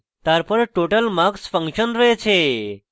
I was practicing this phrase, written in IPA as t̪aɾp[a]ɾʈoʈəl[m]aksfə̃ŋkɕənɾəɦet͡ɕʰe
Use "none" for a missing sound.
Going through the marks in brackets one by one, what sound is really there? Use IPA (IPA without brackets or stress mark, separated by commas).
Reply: ə, m